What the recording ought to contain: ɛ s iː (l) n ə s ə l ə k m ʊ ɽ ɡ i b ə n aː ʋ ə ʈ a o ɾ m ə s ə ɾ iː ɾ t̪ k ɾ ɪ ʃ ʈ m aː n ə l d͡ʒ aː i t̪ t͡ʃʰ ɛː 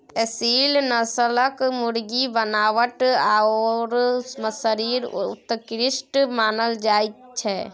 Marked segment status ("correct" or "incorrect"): correct